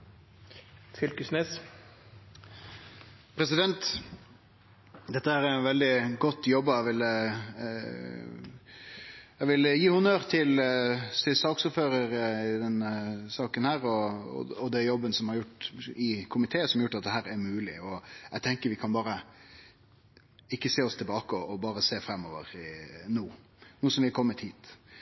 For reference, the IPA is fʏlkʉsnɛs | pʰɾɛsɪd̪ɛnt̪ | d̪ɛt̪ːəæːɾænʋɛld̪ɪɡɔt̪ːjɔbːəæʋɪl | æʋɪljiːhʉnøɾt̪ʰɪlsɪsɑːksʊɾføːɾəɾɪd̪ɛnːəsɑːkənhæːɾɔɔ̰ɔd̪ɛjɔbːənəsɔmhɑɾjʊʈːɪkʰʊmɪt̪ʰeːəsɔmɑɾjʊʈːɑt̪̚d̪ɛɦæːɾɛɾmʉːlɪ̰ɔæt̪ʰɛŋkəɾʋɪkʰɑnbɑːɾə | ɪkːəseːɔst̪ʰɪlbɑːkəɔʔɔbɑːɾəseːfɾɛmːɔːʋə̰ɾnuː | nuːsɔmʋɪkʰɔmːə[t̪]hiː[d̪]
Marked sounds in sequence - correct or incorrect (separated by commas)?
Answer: correct, incorrect